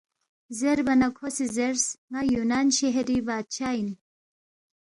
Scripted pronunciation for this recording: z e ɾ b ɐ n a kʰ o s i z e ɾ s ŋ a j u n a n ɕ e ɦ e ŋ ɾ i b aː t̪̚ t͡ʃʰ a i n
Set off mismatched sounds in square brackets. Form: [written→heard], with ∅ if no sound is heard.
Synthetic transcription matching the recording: z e ɾ b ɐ n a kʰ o s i z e ɾ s ŋ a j u n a n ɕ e ɦ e [ŋ→∅] ɾ i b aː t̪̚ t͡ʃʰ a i n